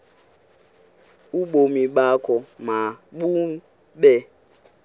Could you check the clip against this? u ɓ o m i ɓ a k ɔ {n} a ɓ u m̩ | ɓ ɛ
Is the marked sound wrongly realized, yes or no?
yes